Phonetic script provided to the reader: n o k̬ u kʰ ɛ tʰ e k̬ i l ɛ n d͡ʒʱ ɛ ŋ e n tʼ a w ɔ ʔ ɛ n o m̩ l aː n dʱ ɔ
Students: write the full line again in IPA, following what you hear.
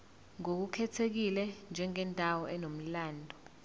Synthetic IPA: ŋ o k̬ u kʰ ɛ tʰ e k̬ i l ɛ n d͡ʒʱ ɛ ŋ ɛ n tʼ a w ɔ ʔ ɛ n o m̩ l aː n dʱ ɔ